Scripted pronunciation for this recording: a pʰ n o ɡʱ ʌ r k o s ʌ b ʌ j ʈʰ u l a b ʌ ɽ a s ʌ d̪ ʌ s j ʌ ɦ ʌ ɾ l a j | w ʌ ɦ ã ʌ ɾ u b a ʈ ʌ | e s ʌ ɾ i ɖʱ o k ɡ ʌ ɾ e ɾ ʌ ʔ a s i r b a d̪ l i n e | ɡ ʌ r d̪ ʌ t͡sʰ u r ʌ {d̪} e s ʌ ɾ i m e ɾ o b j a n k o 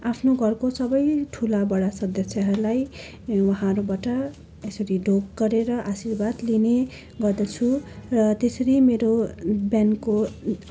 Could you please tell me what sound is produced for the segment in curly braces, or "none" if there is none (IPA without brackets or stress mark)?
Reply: t̪